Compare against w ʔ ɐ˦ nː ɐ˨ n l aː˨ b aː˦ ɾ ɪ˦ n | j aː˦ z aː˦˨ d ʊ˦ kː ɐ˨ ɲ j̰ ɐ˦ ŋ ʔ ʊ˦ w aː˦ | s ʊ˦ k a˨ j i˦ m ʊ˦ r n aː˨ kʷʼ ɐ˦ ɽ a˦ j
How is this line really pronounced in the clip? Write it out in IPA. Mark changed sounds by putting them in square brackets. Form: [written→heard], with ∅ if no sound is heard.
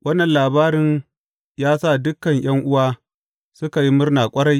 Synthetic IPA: w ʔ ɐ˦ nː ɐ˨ n l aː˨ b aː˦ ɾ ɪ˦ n | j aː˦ [z→s] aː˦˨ d ʊ˦ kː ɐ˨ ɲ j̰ ɐ˦ ŋ ʔ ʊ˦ w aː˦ | s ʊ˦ k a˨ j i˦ m ʊ˦ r n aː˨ kʷʼ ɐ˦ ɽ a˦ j